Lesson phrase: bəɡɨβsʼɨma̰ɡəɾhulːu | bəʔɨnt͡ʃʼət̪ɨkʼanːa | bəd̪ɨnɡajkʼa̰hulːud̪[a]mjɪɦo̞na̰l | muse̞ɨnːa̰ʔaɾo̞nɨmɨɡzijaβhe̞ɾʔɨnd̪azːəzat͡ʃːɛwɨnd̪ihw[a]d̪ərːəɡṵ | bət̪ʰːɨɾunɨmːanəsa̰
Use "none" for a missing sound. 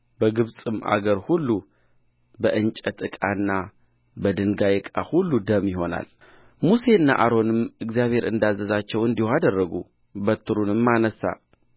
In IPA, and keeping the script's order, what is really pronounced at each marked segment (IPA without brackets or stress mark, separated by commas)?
ə, a